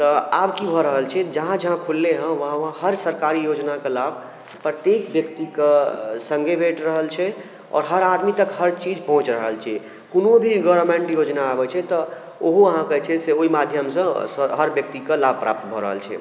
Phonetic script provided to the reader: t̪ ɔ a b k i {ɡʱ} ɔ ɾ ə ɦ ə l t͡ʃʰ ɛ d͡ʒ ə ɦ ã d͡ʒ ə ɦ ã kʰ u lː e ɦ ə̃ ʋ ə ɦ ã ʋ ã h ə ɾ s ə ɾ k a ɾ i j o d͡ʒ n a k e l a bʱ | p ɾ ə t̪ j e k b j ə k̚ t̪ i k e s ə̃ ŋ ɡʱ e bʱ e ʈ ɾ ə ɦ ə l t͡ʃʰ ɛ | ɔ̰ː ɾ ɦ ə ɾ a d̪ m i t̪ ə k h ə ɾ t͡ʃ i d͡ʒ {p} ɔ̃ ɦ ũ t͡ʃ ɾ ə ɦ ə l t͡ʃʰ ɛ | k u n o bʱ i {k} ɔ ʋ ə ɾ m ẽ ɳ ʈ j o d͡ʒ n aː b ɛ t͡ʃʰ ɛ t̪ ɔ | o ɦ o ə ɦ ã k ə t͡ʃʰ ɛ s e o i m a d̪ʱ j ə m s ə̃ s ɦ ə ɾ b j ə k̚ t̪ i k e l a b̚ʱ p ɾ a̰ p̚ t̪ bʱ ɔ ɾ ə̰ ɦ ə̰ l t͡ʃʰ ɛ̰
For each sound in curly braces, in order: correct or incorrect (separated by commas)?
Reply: incorrect, correct, incorrect